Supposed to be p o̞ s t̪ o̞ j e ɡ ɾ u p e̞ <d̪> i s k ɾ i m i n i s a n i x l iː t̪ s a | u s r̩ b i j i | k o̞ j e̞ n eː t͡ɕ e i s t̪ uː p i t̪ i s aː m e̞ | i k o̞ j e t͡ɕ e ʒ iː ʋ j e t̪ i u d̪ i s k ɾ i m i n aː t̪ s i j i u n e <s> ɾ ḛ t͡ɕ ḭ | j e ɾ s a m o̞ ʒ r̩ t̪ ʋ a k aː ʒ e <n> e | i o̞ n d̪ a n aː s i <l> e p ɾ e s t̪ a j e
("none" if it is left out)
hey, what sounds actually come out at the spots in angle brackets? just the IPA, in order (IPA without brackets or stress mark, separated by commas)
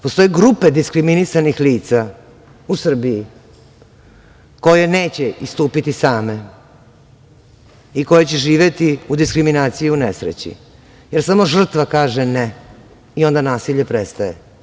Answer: d̪, s, n, ʎ